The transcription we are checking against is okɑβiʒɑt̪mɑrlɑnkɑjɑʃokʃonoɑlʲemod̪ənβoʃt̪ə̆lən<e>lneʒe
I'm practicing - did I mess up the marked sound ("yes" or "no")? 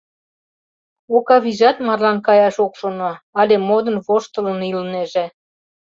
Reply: yes